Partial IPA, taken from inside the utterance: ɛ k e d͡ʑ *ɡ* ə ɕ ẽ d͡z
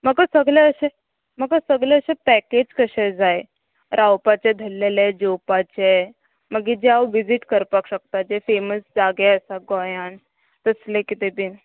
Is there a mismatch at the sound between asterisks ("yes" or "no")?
yes